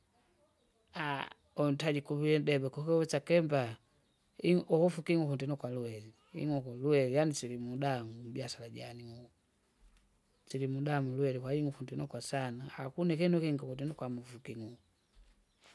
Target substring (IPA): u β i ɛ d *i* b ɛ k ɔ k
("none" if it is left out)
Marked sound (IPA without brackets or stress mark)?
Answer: ɛ